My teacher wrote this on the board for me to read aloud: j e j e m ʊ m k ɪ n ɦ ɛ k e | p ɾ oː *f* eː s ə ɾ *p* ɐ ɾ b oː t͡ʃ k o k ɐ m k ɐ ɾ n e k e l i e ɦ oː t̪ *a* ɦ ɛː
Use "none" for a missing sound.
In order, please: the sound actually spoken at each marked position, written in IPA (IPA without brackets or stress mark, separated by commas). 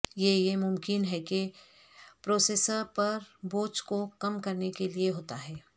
s, p, a